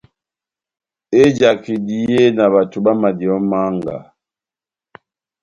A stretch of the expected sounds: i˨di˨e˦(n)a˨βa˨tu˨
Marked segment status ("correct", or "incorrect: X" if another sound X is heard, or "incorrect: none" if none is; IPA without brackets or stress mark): correct